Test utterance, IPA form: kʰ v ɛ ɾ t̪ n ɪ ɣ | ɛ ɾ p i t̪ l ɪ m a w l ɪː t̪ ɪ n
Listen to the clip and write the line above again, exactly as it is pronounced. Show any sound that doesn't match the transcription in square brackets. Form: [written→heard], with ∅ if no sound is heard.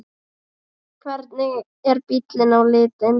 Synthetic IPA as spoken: kʰ v ɛ ɾ t̪ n ɪ ɣ | ɛ ɾ p i t̪ l ɪ [m→n] a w l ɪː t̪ ɪ n